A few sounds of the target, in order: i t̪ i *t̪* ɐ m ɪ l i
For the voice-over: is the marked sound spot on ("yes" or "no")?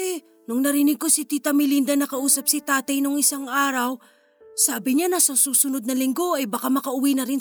yes